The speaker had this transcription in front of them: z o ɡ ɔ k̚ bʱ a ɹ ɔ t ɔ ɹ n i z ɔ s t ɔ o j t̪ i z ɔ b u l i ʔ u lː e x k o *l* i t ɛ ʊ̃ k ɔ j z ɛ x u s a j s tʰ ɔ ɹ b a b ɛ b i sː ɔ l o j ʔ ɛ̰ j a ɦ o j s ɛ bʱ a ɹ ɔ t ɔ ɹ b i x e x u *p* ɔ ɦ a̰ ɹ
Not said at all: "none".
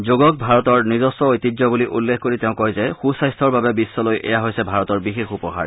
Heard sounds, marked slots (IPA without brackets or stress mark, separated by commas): ɹ, p